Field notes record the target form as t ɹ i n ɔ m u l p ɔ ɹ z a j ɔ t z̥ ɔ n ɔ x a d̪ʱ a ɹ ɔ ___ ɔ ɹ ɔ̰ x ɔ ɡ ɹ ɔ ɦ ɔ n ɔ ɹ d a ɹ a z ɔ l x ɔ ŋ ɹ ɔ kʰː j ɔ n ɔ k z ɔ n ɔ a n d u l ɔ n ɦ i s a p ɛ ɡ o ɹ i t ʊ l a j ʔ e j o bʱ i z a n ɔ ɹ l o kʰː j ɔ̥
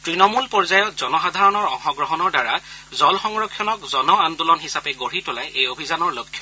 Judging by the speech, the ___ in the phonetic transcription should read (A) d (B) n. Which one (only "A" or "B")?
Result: B